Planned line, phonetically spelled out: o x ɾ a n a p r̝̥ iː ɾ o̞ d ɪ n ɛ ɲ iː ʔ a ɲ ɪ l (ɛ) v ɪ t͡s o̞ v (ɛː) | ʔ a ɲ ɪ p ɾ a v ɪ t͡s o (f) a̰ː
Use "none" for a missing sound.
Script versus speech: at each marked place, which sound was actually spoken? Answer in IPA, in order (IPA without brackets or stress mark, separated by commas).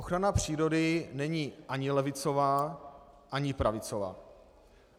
ɛ, aː, v